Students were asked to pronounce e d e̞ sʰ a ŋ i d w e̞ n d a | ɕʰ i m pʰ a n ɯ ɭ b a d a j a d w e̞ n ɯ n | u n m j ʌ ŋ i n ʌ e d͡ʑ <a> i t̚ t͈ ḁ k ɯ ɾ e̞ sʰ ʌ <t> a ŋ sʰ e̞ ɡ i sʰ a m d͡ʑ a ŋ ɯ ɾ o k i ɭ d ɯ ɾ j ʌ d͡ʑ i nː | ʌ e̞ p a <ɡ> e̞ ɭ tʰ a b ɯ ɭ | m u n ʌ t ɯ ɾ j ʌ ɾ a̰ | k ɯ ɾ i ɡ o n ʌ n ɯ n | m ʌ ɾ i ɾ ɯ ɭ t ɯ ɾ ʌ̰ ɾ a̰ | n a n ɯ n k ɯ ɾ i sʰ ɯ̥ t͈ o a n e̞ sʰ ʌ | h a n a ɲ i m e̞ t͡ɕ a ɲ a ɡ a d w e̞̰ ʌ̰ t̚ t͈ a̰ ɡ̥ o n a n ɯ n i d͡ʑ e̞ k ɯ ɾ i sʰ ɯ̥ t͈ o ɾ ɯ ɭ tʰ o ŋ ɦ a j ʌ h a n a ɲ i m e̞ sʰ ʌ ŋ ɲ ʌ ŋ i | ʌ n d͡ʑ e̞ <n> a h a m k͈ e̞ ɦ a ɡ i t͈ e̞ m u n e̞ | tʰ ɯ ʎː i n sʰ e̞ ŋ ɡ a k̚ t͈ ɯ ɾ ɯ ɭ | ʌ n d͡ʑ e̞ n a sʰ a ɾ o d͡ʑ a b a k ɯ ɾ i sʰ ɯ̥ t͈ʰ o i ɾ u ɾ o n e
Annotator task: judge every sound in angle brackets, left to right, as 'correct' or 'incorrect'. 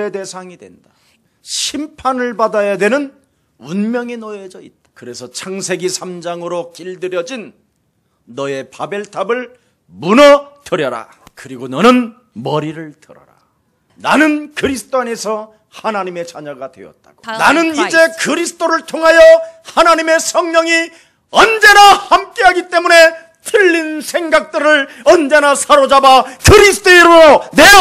incorrect: ʌ, incorrect: t͡ɕʰ, incorrect: b, correct

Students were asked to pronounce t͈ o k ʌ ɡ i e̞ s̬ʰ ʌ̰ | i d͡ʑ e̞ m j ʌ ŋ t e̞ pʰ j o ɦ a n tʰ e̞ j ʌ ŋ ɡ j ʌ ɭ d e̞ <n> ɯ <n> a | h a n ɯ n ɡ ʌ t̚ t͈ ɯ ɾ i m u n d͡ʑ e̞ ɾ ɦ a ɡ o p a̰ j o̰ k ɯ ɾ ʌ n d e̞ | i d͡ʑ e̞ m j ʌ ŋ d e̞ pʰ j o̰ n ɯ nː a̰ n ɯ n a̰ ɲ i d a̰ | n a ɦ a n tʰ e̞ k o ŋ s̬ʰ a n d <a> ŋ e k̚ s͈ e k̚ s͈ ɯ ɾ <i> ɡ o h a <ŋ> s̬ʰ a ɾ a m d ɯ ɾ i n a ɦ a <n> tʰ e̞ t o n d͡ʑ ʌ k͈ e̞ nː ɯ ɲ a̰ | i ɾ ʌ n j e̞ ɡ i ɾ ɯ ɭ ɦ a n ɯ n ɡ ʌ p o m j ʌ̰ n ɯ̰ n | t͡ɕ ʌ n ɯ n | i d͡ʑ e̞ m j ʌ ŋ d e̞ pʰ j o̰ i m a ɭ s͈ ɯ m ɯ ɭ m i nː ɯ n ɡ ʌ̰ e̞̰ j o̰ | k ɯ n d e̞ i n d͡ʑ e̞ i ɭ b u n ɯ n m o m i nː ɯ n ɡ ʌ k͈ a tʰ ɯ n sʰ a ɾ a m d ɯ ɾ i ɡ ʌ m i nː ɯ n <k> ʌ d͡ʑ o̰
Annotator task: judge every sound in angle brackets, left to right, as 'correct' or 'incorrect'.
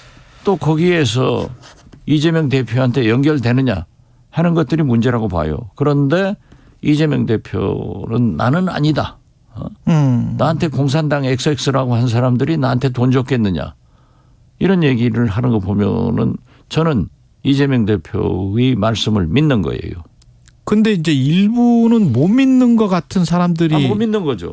correct, incorrect: ɲ, correct, incorrect: a, incorrect: n, correct, incorrect: ɡ

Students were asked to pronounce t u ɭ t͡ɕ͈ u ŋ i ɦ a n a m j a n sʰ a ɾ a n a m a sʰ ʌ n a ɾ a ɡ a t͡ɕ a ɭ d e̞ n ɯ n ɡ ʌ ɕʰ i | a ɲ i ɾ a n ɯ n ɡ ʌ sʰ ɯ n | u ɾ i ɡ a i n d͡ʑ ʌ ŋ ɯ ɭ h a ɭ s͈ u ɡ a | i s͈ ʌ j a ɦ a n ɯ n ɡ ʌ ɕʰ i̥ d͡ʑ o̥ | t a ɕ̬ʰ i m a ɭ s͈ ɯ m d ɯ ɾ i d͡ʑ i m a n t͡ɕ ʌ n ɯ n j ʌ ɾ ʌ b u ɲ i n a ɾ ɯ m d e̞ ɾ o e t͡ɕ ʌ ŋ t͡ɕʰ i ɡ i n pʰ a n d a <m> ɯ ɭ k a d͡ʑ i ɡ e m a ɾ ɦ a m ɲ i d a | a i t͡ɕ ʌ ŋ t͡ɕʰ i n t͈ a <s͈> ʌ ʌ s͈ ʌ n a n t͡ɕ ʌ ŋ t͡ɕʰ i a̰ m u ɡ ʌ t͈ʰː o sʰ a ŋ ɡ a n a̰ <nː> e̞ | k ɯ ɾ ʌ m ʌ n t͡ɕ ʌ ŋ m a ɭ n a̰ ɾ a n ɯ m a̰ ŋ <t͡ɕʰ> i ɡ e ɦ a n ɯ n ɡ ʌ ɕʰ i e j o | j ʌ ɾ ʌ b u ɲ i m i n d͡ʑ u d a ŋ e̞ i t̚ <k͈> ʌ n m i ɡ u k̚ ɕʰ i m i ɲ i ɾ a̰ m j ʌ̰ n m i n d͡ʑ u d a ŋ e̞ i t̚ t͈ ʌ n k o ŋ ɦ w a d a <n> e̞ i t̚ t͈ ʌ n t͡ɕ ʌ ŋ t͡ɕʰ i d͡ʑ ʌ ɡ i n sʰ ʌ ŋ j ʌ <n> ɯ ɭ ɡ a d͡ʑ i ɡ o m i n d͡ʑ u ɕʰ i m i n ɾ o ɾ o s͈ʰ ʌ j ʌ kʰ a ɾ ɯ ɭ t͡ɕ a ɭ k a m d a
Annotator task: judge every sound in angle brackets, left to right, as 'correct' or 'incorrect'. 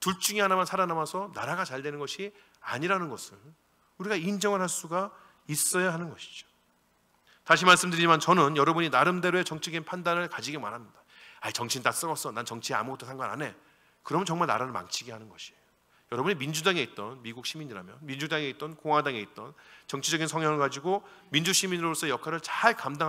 incorrect: n, correct, incorrect: n, correct, incorrect: t͈, incorrect: ŋ, incorrect: ŋ

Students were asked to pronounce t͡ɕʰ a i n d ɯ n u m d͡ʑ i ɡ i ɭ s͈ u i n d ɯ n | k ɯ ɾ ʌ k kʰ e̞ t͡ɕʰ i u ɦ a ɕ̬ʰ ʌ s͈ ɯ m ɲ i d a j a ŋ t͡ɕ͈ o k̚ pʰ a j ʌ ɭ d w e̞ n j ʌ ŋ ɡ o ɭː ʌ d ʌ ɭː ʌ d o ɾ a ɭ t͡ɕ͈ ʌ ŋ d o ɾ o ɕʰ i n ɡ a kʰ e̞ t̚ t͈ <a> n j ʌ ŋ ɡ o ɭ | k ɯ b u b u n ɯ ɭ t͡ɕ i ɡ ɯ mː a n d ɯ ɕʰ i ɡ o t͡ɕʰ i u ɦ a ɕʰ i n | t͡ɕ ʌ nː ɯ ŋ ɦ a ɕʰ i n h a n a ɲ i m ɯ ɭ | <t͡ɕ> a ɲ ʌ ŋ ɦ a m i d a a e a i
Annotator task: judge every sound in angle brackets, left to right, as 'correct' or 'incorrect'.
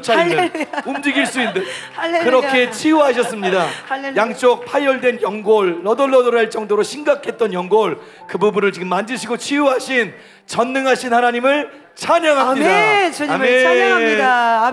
incorrect: ʌ, incorrect: t͡ɕʰ

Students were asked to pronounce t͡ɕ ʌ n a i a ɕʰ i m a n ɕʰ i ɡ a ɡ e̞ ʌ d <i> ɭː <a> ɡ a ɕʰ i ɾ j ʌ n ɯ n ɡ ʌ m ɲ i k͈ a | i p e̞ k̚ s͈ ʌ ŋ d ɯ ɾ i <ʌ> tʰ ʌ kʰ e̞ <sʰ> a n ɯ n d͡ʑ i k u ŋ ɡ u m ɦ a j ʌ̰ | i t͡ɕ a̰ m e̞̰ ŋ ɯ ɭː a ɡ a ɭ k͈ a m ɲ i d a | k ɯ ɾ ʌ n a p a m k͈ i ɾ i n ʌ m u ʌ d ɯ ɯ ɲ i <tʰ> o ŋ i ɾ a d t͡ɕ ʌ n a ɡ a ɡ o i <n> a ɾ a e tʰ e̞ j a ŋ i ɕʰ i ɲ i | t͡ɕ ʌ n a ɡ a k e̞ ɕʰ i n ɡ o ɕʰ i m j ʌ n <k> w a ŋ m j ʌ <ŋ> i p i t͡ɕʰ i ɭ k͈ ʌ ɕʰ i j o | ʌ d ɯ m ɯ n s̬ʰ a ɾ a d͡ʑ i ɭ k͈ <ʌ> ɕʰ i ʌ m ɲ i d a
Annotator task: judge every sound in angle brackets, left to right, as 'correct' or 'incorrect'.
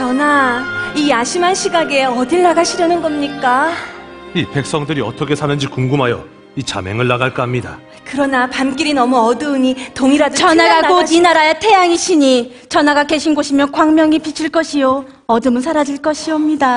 correct, correct, correct, correct, incorrect: t, correct, correct, correct, correct

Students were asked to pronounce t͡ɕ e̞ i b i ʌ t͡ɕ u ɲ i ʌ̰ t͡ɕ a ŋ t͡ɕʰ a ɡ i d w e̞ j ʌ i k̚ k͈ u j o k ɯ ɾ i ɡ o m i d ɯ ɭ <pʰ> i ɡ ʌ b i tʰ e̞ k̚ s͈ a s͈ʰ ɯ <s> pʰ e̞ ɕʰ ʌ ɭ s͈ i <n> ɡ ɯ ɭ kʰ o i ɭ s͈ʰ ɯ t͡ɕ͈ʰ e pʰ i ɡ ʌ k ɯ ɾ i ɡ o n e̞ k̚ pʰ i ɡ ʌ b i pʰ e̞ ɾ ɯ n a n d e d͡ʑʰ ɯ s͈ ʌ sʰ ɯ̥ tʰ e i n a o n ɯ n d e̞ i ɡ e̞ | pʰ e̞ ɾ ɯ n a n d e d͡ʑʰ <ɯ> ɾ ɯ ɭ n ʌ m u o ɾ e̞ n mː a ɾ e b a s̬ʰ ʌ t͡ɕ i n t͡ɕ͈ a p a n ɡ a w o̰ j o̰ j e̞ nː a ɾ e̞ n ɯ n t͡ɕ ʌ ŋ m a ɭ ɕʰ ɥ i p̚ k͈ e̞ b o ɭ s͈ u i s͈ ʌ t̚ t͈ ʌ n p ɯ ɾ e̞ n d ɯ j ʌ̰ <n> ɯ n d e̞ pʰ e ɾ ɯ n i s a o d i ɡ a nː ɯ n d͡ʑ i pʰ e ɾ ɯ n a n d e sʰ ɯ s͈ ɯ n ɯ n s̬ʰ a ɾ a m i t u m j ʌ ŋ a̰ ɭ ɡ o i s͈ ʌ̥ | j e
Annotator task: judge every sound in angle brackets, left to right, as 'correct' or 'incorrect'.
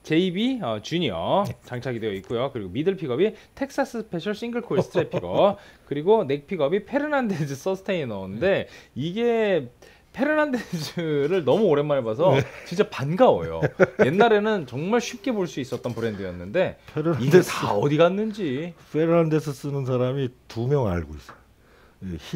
correct, correct, incorrect: ŋ, correct, incorrect: nː

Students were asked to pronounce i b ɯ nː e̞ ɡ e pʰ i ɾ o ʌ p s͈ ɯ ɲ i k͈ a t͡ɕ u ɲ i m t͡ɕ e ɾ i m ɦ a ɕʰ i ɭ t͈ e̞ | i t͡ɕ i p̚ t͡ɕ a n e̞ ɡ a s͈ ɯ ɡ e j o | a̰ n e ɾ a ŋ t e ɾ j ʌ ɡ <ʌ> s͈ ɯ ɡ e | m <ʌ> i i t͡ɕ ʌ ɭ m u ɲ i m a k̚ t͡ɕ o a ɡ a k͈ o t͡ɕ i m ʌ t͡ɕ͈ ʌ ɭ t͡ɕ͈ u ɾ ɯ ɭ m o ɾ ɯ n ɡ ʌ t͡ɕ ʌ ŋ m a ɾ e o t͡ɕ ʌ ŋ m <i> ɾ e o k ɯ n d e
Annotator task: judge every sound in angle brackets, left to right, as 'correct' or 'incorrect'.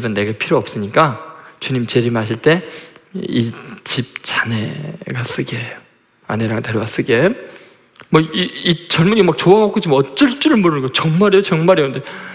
incorrect: a, correct, incorrect: a

